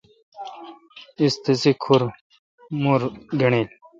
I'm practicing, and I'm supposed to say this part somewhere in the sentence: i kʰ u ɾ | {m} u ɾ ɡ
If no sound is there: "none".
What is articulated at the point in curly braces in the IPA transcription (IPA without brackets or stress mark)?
m